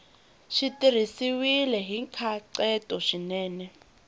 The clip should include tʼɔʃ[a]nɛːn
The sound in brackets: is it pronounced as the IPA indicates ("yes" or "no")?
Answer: no